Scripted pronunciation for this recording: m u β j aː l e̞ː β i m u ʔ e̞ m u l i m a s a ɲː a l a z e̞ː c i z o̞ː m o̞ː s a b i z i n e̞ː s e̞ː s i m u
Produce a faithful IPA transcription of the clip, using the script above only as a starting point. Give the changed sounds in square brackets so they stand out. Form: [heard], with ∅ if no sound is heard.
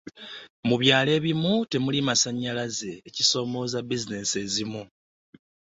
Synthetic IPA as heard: m u β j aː l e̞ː β i m u [t] e̞ m u l i m a s a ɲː a l a z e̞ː c i [s] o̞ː m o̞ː [z] a b i z i n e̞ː s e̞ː [z] i m u